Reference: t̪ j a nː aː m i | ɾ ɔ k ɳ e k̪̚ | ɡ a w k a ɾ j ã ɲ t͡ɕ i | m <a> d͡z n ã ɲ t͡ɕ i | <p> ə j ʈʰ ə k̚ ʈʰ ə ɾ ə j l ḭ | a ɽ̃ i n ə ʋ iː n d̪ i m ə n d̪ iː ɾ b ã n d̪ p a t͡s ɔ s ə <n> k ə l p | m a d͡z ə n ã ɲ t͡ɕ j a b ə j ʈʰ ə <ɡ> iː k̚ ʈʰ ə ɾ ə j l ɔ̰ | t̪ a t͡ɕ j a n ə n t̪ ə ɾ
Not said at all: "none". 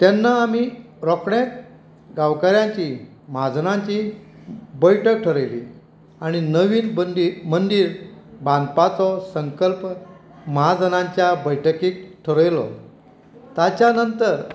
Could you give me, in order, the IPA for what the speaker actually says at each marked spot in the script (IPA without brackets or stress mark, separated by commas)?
a, b, ŋ, k